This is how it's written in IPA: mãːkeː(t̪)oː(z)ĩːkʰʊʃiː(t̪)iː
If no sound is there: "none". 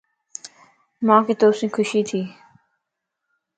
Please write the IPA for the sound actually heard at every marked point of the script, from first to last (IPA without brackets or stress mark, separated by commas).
t̪, s, t̪ʰ